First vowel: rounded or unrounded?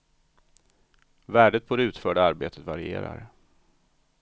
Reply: unrounded